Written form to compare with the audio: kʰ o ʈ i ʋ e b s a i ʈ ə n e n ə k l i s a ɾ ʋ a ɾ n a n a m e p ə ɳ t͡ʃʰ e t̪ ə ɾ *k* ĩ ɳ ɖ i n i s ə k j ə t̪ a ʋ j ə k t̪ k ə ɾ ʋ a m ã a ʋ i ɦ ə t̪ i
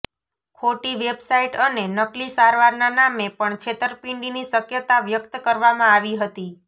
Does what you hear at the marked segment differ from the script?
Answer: yes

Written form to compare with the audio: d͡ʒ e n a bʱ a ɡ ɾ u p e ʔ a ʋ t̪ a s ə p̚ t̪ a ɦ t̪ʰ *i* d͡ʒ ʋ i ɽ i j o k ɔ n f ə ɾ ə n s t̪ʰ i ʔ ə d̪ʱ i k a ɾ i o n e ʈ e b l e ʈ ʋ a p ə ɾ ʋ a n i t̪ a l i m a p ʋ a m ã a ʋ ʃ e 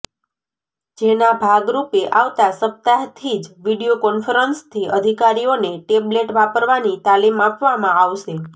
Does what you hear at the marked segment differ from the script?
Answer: no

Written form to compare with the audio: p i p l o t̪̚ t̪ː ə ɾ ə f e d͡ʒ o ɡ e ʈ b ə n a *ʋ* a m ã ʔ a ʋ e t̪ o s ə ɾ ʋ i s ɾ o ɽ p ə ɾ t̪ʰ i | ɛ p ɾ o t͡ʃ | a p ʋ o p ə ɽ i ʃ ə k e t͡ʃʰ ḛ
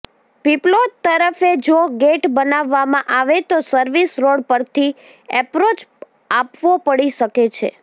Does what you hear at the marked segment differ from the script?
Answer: yes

